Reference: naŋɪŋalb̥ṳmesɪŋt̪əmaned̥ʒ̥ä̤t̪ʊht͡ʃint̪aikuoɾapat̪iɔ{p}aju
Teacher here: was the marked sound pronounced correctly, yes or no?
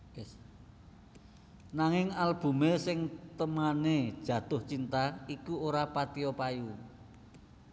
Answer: yes